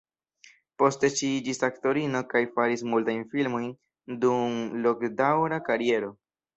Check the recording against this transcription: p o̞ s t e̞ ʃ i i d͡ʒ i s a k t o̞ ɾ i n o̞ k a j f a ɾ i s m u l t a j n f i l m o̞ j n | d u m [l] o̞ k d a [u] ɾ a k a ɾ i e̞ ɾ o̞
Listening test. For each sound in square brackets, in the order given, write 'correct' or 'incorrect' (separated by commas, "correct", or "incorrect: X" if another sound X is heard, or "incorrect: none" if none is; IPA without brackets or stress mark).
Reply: correct, incorrect: w